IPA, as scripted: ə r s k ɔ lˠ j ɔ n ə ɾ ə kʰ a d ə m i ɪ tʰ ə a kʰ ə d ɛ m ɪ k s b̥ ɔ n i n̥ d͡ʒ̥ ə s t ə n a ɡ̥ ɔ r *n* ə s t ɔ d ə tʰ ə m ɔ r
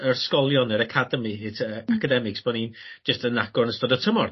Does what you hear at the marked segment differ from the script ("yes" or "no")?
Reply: no